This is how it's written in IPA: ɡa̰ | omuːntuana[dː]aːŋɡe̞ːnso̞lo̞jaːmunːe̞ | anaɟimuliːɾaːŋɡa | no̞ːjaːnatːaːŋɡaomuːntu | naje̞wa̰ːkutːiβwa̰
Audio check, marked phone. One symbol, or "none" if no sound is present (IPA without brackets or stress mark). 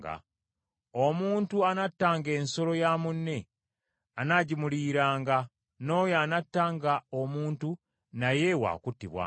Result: tː